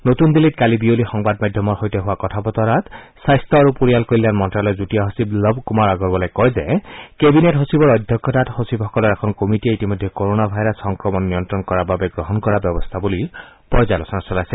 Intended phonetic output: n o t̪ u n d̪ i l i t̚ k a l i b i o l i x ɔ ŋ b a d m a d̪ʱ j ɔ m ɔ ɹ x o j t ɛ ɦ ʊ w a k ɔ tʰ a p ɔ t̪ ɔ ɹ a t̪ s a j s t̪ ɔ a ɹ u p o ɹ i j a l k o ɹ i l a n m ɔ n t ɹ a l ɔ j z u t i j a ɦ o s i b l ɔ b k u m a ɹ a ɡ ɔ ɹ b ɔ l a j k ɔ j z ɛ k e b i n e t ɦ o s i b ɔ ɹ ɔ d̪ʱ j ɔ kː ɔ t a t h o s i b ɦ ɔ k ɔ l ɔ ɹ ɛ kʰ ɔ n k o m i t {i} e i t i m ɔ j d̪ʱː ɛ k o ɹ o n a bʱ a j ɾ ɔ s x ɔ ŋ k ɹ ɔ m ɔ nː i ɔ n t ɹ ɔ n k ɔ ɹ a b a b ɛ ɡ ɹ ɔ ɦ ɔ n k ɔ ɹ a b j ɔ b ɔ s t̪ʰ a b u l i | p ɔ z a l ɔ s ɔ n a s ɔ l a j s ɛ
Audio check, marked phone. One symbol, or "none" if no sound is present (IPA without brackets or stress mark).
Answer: i